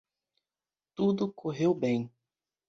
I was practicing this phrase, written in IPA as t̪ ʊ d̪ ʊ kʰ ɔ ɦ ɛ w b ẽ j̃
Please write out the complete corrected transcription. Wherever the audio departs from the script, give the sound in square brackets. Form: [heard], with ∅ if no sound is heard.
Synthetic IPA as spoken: t̪ [u] d̪ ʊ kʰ [o] ɦ [e] w b ẽ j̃